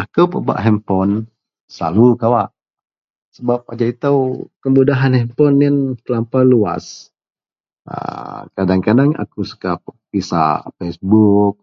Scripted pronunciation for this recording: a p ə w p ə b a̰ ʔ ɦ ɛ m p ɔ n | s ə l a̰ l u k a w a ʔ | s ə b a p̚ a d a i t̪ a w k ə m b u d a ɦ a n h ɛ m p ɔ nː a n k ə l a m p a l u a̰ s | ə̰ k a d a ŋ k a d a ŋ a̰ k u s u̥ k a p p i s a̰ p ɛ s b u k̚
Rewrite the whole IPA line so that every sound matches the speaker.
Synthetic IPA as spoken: a k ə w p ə b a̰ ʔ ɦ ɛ m p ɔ n | s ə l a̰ l u k a w a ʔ | s ə b a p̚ a d͡ʒ a i t̪ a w k ə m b u d a ɦ a n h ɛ m p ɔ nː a n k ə l a m p a l u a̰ s | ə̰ k a d a ŋ k a d a ŋ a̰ k u s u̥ k a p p i s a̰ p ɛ s b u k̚

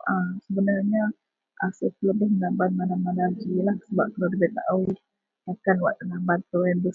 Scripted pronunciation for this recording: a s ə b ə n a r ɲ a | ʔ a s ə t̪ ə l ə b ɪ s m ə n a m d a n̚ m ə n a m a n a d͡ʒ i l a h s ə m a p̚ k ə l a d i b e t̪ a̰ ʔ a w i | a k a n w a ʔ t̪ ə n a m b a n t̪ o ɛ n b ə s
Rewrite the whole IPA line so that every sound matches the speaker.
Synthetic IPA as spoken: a s ə b ə n a r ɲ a | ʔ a s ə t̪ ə l ə b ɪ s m ə n a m b a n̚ m a n a m a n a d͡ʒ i l a h s ə b a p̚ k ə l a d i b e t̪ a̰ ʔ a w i | a k a n w a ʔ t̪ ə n a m b a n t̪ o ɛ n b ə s

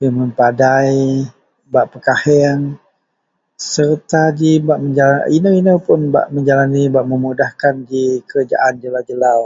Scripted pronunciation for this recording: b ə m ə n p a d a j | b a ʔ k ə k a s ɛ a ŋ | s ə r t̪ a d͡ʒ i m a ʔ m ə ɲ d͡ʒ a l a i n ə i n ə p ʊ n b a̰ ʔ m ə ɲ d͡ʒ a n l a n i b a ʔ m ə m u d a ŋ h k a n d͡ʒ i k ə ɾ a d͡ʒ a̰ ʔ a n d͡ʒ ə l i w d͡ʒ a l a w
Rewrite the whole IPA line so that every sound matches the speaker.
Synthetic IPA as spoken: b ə m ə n p a d a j | b a ʔ p ə k a h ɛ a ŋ | s ə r t̪ a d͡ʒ i b a ʔ m ə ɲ d͡ʒ a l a i n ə i n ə p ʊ n b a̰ ʔ m ə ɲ d͡ʒ a l a n i b a ʔ m ə m u d a h k a n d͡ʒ i k ə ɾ a d͡ʒ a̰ ʔ a n d͡ʒ ə l a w d͡ʒ ə l a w

